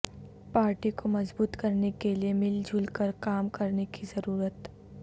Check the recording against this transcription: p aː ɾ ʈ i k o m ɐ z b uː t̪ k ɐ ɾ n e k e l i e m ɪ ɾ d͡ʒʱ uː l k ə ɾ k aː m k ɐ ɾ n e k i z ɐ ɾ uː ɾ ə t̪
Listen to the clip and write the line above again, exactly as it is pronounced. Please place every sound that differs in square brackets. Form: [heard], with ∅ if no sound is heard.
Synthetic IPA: p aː ɾ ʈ i k o m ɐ z b uː t̪ k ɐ ɾ n e k e l i e m ɪ [l] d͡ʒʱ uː l k ə ɾ k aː m k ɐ ɾ n e k i z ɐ ɾ uː ɾ ə t̪